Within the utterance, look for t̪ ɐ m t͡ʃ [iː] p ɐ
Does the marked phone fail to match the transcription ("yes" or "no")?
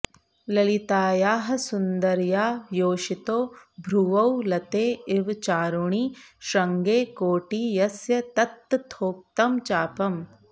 yes